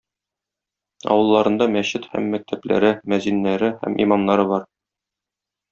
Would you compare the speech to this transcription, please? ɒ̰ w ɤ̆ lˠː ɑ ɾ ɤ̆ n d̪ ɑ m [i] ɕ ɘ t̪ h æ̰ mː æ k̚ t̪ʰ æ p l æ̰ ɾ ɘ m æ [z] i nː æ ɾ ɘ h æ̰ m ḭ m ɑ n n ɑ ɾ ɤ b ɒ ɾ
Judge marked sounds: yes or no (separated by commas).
no, yes